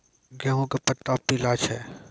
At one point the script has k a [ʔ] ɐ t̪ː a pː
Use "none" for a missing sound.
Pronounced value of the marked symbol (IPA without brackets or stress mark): p